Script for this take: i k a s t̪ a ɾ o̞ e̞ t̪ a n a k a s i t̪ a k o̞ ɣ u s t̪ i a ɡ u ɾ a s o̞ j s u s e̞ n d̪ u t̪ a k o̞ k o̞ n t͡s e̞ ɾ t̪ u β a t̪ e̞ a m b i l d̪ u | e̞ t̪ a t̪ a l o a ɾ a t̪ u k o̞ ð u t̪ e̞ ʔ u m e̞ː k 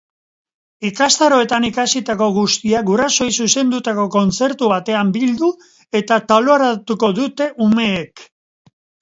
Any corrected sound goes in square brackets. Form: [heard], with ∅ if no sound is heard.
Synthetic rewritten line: i k a s t̪ a ɾ o̞ e̞ t̪ a n [i] k a s i t̪ a k o̞ ɣ u s t̪ i a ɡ u ɾ a s o̞ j s u s e̞ n d̪ u t̪ a k o̞ k o̞ n t͡s e̞ ɾ t̪ u β a t̪ e̞ a m b i l d̪ u | e̞ t̪ a t̪ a l o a ɾ a t̪ u k o̞ ð u t̪ e̞ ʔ u m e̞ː k